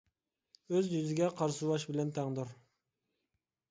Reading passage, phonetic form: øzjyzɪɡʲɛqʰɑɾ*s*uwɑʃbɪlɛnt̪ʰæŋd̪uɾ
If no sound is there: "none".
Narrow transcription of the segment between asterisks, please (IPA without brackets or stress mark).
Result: s